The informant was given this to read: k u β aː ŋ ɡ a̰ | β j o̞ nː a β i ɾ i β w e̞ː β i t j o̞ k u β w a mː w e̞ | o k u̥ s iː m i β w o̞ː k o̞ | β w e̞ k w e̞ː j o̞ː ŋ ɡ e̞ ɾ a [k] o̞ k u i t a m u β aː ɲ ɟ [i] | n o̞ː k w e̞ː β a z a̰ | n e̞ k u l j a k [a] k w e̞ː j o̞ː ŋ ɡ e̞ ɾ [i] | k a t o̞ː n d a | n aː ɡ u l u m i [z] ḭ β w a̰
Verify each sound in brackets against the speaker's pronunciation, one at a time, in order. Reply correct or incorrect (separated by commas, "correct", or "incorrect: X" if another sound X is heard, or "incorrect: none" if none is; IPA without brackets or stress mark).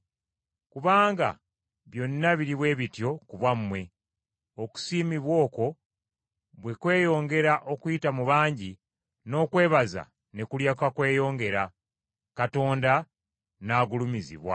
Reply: incorrect: ʔ, correct, correct, incorrect: a, correct